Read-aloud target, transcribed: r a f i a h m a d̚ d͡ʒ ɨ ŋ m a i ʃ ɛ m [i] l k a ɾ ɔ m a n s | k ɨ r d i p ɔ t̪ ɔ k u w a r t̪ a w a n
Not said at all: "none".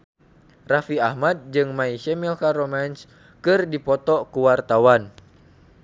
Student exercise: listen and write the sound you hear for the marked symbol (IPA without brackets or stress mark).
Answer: i